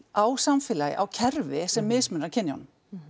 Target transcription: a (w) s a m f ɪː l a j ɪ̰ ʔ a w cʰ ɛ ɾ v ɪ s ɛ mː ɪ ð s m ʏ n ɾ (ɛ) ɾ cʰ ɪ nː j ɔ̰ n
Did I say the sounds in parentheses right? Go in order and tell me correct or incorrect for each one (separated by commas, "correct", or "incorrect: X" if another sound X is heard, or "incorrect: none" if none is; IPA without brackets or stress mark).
correct, incorrect: a